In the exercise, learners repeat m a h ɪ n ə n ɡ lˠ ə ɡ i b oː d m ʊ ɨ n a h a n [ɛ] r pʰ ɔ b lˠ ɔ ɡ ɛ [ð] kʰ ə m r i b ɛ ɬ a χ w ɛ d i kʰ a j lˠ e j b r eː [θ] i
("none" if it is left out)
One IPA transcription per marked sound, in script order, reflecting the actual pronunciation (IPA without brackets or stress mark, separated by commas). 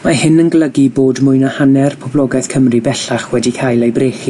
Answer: ɛ, θ, χ